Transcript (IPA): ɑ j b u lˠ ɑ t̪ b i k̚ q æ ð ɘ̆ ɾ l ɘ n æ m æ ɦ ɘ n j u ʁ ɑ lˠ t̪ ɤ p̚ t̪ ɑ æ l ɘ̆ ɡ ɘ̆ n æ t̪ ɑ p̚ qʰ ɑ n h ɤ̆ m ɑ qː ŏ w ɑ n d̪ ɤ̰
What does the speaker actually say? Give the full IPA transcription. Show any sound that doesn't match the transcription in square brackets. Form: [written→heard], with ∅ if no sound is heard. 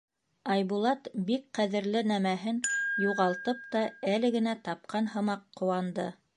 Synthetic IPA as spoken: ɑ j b u lˠ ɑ t̪ b i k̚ q æ ð ɘ̆ ɾ l ɘ n æ m æ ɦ ɘ n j u ʁ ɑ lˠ t̪ ɤ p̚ t̪ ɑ æ l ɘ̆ ɡ ɘ̆ n æ t̪ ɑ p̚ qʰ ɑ n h ɤ̆ m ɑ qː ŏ w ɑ n d̪ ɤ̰